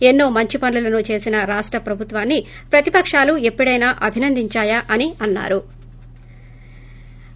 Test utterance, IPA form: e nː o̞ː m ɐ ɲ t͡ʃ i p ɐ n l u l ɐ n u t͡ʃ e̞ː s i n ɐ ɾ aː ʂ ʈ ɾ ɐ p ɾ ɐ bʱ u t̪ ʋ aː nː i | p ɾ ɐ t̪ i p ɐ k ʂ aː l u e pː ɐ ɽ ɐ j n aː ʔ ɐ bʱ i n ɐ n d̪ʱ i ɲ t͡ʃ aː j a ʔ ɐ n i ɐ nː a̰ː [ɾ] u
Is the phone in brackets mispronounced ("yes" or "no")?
no